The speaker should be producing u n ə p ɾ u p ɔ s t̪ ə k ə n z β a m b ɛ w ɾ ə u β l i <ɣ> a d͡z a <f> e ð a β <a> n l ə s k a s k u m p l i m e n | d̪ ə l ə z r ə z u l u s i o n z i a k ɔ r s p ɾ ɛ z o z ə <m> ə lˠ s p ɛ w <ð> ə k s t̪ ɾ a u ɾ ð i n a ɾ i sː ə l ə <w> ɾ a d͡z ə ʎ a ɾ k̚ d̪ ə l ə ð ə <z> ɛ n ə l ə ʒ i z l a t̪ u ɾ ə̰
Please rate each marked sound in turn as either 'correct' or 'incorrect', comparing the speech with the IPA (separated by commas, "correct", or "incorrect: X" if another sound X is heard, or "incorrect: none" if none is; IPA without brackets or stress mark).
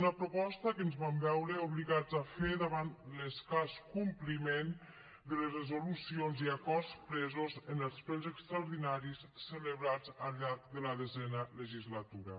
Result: correct, correct, correct, incorrect: n, incorrect: z, incorrect: β, correct